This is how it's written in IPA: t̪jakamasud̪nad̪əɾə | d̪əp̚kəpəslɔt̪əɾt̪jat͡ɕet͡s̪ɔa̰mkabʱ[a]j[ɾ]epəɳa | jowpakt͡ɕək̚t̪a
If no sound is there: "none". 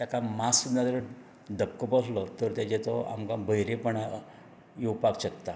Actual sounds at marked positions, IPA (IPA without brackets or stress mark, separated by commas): ə, ɾ